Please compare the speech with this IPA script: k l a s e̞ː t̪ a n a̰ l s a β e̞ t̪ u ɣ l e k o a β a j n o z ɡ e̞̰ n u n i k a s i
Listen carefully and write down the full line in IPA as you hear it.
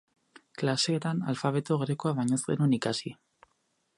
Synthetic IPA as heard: k l a s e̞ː t̪ a n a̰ l f a β e̞ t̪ o ɣ ɾ e k o a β a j ɲ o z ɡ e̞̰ n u n i k a s i